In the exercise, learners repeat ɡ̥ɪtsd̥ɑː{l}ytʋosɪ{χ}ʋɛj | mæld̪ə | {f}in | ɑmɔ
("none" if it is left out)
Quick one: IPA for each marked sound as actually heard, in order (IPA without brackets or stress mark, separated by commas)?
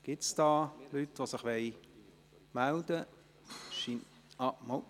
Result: l, χ, ʃ